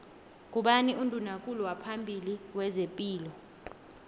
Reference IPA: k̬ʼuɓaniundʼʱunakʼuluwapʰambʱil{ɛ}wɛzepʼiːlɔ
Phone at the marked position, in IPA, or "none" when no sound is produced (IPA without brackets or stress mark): i